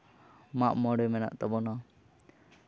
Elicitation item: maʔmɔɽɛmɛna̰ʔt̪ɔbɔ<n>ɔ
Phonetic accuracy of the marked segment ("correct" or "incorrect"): correct